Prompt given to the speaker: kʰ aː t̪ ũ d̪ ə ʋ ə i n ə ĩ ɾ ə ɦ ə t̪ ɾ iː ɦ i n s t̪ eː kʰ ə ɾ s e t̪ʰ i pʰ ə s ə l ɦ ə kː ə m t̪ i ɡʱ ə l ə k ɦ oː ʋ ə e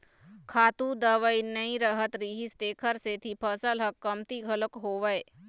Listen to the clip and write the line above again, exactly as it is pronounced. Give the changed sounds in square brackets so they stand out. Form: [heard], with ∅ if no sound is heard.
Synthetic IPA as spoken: kʰ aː t̪ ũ d̪ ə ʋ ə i n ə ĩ ɾ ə ɦ ə t̪ ɾ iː ɦ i [∅] s t̪ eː kʰ ə ɾ s e t̪ʰ i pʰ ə s ə l ɦ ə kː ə m t̪ i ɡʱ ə l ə k ɦ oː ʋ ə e